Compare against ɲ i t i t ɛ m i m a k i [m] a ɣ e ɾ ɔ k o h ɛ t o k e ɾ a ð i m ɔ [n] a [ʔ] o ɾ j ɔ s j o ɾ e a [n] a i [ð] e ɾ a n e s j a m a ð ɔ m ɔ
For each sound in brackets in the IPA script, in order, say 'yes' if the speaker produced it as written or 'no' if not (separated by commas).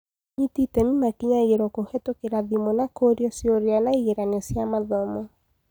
no, yes, no, yes, no